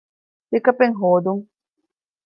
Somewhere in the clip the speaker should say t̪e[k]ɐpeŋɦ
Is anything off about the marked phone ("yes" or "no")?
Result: no